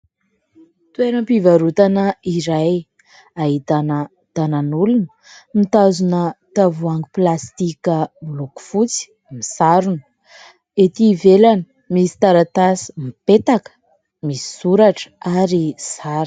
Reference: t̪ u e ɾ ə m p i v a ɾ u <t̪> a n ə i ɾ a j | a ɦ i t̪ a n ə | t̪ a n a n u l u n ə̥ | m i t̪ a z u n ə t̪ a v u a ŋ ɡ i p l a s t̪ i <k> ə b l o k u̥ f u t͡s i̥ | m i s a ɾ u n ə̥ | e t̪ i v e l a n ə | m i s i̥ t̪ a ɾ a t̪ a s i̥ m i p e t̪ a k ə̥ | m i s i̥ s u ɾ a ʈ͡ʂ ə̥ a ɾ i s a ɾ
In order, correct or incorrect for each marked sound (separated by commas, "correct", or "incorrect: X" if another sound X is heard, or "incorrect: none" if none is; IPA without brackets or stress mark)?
correct, correct